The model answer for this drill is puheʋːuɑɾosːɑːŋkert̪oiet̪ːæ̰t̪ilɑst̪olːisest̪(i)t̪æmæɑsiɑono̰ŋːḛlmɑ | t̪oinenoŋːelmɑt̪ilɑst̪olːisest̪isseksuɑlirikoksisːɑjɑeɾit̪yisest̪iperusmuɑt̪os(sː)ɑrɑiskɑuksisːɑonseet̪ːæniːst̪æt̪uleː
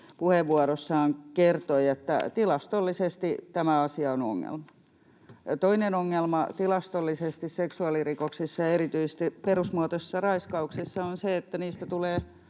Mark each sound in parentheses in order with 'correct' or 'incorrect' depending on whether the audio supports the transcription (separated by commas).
correct, correct